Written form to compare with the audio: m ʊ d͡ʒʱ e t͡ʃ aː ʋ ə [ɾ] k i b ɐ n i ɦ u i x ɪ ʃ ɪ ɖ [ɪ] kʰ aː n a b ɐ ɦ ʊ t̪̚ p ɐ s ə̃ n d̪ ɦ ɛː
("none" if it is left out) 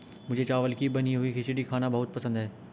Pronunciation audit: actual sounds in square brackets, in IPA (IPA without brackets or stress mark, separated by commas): l, i